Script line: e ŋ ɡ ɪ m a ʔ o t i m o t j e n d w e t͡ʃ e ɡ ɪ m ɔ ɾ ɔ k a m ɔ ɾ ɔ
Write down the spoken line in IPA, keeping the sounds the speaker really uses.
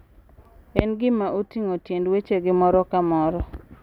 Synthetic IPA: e n ɡ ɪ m a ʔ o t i ŋ o t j e n d w e t͡ʃ e ɡ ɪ m ɔ ɾ ɔ k a m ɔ ɾ ɔ